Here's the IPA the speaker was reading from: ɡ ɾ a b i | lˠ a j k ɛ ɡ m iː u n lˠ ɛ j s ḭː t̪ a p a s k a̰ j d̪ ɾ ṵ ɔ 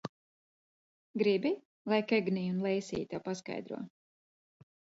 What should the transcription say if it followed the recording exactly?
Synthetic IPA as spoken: ɡ ɾ i b i | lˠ a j k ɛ ɡ n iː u n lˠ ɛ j s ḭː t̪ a p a s k a̰ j d̪ ɾ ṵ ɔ